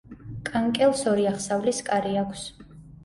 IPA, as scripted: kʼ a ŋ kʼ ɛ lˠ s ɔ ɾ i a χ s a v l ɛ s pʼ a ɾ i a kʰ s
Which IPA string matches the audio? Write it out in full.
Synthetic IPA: kʼ a ŋ kʼ ɛ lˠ s ɔ ɾ i a χ s a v l i s kʼ a ɾ i a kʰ s